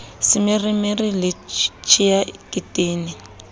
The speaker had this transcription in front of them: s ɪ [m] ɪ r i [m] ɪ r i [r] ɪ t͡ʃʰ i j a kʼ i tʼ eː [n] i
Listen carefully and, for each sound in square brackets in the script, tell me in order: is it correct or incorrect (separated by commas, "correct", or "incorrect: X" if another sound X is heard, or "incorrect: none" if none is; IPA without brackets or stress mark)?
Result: correct, correct, incorrect: l, correct